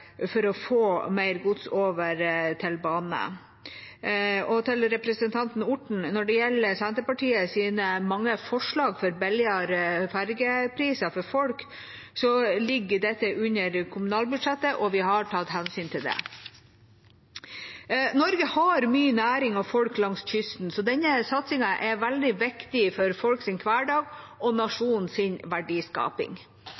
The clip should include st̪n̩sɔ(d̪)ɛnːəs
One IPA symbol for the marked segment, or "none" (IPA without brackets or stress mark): d̪